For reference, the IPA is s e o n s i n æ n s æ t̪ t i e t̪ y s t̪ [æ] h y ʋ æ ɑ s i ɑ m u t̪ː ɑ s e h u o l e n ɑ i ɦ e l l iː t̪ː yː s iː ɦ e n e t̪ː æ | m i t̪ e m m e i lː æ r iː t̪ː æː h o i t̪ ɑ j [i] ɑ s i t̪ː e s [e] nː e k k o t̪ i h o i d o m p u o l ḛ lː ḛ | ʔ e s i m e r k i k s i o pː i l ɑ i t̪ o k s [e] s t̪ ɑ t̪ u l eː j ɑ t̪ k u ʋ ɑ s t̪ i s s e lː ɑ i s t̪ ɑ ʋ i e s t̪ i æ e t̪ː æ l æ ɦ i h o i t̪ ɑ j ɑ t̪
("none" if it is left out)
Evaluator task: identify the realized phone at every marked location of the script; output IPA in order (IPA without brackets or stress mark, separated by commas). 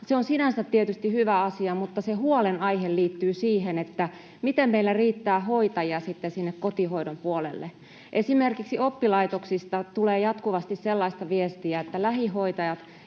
i, i, i, i